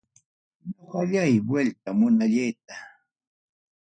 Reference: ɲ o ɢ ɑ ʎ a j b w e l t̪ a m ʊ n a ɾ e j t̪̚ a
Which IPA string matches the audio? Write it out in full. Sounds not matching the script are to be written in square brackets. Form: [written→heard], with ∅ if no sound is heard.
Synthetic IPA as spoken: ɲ o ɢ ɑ ʎ a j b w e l t̪ a m ʊ n a [ɾ→ʎ] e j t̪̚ a